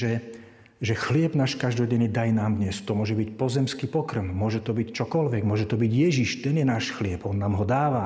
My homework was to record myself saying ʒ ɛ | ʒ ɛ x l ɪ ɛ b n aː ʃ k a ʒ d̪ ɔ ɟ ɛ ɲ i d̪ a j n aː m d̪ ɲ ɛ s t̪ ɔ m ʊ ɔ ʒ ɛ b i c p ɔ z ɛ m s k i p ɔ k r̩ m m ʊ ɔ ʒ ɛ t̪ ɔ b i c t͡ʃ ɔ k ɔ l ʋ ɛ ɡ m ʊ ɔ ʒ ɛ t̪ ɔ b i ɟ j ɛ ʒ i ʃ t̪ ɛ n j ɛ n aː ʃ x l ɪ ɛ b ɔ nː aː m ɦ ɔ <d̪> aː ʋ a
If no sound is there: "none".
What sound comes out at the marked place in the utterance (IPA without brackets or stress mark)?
d̪